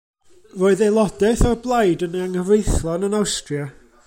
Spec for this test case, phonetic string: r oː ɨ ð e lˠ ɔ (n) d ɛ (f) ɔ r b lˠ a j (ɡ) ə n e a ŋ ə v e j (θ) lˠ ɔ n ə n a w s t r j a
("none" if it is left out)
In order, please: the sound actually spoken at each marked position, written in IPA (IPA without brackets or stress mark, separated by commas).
none, θ, d, θ